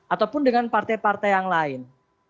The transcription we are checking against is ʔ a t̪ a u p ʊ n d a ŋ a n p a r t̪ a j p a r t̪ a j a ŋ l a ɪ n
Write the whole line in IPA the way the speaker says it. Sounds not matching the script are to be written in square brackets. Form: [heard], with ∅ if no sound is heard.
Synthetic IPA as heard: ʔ a t̪ a [w] p ʊ n d [ə] ŋ a n p a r t̪ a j p a r t̪ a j a ŋ l a ɪ n

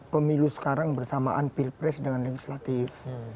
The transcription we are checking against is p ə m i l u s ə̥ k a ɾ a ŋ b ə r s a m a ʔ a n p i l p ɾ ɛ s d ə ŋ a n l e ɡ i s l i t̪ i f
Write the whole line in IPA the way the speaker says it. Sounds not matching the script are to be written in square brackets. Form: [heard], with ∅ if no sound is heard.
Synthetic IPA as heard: p ə m i l u s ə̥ k a ɾ a ŋ b ə r s a m a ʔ a n p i l p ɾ ɛ s d ə ŋ a n l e ɡ i s l [a] t̪ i f

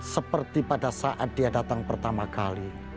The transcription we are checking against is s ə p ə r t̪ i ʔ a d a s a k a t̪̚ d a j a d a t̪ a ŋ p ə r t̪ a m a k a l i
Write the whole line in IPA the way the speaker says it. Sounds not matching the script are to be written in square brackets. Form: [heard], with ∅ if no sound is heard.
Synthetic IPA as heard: s ə p ə r t̪ i [p] a d a s a [ʔ] a t̪̚ d [i] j a d a t̪ a ŋ p ə r t̪ a m a k a l i

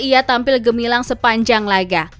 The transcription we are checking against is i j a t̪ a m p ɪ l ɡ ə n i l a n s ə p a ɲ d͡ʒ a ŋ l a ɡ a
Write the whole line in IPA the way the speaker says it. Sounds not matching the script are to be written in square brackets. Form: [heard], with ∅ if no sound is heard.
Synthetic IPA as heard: i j a t̪ a m p ɪ l ɡ ə [m] i l a [ŋ] s ə p a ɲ d͡ʒ a ŋ l a ɡ a

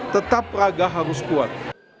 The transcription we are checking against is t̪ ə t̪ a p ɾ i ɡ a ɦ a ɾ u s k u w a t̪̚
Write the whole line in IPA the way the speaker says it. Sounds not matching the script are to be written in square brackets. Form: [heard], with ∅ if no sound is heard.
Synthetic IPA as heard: t̪ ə t̪ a p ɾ [a] ɡ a ɦ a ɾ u s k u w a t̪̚

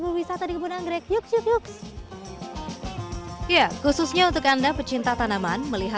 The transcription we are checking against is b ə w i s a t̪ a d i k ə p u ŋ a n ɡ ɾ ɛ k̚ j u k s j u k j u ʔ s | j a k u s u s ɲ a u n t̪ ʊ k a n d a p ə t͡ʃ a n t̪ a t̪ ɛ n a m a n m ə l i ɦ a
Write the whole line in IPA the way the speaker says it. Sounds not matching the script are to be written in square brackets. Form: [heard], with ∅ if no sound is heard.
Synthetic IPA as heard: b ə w i s a t̪ a d i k ə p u [n] a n ɡ ɾ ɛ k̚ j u k s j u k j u [k] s | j a k u s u s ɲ a u n t̪ ʊ k a n d a p ə t͡ʃ [i] n t̪ a t̪ [a] n a m a n m ə l i ɦ a

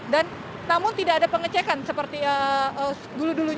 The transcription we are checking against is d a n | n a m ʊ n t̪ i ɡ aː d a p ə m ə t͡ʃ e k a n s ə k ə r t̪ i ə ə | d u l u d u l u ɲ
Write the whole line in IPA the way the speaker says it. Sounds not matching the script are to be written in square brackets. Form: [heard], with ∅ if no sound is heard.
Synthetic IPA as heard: d a n | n a m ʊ n t̪ i [d] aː d a p ə [ŋ] ə t͡ʃ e k a n s ə [p] ə r t̪ i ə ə | d u l u d u l u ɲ

